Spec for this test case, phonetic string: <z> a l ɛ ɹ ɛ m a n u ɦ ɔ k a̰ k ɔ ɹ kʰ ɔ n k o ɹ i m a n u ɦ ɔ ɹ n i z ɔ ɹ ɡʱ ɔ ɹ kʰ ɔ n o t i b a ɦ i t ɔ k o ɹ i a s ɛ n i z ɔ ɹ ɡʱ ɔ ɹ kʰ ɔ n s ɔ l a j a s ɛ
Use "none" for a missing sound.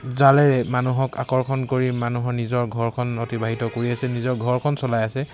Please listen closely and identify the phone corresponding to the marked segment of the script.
z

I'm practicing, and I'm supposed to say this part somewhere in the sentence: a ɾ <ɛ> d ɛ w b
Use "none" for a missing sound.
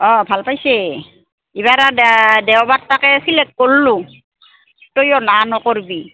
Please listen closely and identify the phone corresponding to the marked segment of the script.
a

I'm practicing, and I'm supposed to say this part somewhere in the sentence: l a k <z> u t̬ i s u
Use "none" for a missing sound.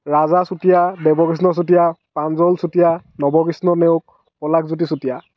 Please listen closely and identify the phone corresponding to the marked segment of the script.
z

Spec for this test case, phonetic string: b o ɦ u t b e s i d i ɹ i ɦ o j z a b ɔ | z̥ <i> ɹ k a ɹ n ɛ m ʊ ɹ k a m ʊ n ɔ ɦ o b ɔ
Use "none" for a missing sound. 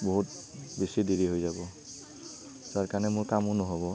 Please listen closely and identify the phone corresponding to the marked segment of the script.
a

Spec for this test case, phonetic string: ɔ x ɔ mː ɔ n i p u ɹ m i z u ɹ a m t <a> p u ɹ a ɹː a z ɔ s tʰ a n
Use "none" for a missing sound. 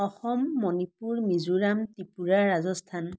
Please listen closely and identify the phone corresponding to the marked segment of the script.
i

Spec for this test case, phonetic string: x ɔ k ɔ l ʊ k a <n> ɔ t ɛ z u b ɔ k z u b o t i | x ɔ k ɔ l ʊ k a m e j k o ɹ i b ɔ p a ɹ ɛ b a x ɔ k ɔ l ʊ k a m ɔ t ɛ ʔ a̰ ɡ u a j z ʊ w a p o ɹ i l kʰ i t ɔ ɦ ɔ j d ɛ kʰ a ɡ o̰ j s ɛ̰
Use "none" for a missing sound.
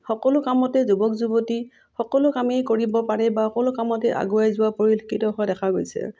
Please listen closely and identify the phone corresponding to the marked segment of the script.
m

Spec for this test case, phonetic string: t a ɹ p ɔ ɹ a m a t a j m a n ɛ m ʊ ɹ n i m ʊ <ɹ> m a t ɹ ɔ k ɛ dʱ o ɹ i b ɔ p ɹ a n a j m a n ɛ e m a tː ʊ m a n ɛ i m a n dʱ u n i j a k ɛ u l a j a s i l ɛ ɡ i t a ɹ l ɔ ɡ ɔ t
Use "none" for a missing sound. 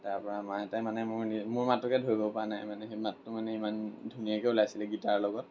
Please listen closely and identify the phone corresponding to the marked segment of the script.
ɹ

